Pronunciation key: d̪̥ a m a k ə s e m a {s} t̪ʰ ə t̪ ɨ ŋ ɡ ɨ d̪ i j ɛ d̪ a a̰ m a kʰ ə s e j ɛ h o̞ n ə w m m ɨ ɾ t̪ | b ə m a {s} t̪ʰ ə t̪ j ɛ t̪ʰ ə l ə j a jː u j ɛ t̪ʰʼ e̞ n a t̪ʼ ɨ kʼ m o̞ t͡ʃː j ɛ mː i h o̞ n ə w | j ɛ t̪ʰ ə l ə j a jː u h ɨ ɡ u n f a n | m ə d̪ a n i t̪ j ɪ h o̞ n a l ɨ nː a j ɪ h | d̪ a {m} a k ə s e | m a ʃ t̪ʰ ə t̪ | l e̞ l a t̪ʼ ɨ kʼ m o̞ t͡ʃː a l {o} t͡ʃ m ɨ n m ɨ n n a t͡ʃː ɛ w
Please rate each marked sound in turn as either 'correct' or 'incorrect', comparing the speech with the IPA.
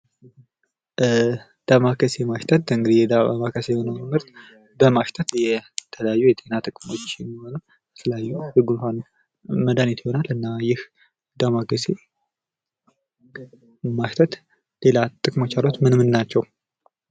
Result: incorrect: ʃ, incorrect: ʃ, correct, correct

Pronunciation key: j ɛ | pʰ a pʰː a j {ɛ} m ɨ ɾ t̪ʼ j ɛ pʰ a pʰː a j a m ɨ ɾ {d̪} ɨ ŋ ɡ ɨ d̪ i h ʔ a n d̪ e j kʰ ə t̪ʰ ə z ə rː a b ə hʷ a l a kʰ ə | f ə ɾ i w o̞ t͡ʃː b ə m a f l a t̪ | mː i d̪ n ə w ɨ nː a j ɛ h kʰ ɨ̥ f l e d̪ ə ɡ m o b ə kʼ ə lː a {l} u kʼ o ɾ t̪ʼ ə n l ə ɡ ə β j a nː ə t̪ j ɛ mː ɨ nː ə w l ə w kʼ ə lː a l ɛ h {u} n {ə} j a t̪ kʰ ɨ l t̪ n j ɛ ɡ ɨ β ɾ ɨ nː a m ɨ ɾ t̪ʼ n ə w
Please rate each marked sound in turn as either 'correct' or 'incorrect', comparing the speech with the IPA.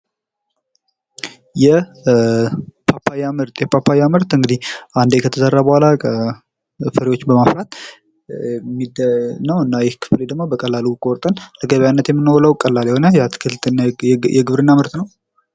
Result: incorrect: a, incorrect: t̪, correct, incorrect: o, correct

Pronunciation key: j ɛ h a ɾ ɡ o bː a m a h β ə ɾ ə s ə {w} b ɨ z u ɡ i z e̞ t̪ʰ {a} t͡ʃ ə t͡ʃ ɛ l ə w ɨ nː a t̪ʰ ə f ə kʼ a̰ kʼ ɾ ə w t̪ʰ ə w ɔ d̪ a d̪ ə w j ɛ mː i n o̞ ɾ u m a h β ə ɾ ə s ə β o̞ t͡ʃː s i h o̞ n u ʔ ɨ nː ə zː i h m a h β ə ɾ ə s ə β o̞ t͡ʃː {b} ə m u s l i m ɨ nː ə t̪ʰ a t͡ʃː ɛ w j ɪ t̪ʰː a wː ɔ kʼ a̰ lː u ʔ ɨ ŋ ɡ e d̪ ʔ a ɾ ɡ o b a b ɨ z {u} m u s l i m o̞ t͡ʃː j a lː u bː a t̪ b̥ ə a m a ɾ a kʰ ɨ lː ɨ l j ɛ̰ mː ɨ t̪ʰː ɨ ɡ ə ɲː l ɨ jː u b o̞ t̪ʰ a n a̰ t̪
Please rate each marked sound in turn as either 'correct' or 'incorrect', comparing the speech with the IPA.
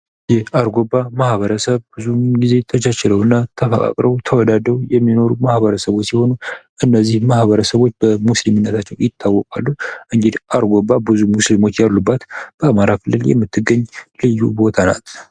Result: incorrect: β, incorrect: ə, correct, correct

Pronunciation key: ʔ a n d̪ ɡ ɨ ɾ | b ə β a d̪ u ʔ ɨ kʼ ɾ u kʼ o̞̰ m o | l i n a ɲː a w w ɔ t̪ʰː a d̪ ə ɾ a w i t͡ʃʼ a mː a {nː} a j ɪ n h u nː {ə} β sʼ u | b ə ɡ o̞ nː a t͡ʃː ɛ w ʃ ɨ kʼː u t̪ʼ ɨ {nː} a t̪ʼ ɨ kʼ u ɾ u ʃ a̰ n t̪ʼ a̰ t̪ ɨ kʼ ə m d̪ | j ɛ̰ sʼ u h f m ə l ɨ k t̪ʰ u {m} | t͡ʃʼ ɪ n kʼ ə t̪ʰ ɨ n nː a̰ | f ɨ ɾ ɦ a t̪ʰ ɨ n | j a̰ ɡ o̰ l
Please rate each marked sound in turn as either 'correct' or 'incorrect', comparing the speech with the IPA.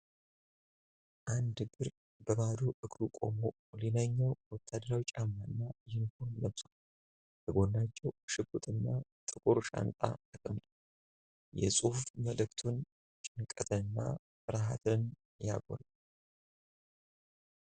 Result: correct, correct, correct, incorrect: n

